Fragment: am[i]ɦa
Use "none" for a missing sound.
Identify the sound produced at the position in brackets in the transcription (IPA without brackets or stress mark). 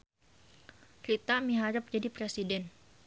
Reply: i